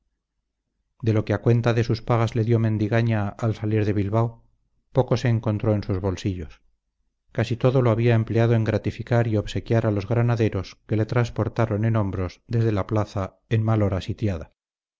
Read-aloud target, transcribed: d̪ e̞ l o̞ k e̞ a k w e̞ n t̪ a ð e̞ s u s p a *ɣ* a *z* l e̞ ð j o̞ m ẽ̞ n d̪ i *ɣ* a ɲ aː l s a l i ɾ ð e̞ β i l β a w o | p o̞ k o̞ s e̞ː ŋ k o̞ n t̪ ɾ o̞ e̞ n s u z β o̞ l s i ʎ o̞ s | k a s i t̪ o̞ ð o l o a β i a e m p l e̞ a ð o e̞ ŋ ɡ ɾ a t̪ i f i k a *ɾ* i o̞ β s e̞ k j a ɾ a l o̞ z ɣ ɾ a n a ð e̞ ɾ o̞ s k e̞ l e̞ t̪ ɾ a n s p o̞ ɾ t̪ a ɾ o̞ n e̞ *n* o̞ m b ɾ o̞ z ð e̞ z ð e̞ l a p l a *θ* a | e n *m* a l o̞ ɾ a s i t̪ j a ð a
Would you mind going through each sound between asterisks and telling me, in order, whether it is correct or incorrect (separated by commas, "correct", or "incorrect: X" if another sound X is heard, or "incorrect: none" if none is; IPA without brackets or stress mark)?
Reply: correct, correct, correct, correct, correct, correct, correct